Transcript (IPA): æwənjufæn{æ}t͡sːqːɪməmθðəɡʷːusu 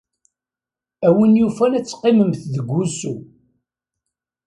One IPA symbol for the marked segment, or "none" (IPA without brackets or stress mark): æ